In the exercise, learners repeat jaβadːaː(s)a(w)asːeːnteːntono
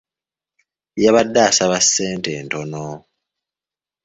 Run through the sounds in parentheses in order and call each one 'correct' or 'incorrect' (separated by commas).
correct, incorrect